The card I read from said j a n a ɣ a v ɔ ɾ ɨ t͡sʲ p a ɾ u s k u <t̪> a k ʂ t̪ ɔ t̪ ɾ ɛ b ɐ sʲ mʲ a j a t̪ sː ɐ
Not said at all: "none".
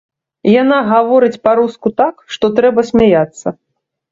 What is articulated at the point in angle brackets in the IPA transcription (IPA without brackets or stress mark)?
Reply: t̪